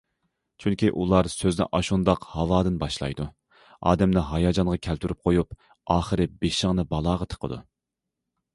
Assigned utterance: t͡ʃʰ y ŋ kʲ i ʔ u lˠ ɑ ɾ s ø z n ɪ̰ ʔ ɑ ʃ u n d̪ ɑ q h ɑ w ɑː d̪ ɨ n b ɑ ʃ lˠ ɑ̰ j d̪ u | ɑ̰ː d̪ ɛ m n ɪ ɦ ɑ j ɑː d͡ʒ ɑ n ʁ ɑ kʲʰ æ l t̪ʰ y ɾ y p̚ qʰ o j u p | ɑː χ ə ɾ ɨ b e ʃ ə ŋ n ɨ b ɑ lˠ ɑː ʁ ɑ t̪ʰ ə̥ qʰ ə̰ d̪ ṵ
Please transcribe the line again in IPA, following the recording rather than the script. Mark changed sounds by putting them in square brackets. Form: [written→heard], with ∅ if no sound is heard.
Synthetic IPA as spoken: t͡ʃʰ y ŋ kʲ i ʔ u lˠ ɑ ɾ s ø z n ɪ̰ ʔ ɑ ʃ u n d̪ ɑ q h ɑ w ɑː d̪ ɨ n b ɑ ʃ lˠ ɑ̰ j d̪ u | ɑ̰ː d̪ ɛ m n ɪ ɦ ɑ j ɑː d͡ʒ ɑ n ʁ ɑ kʲʰ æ l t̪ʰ y ɾ y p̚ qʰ o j u p | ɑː χ ə ɾ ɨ b e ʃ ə ŋ n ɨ b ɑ lˠ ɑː ʁ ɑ t̪ʰ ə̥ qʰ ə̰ d̪ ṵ